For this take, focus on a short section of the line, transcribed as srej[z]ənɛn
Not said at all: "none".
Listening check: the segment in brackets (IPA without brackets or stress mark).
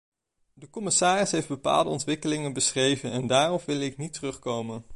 v